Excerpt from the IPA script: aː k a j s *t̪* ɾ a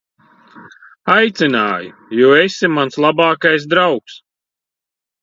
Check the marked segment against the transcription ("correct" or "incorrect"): incorrect